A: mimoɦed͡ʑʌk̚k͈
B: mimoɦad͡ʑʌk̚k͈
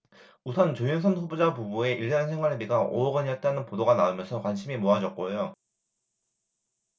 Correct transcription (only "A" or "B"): B